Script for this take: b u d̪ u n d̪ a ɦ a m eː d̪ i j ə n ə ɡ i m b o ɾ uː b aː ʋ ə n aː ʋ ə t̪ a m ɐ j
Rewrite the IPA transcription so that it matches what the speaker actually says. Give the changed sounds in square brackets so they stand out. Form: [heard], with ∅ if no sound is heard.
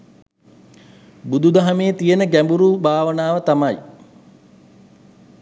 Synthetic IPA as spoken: b u d̪ u [∅] d̪ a ɦ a m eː [t̪] i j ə n ə ɡ [æ] m b [u] ɾ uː b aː ʋ ə n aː ʋ ə t̪ a m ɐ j